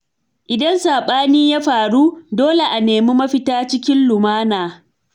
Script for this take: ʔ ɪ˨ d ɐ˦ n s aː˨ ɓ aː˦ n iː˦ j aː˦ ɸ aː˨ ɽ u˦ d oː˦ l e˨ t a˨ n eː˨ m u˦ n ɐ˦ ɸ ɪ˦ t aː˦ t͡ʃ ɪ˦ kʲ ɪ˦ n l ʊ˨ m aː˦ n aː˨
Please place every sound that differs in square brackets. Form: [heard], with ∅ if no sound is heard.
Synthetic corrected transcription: ʔ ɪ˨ d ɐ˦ n s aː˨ ɓ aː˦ n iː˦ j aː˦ ɸ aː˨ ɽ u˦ d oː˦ l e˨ [ʔ] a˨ n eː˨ m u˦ [m] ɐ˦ ɸ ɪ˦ t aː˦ t͡ʃ ɪ˦ kʲ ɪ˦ n l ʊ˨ m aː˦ n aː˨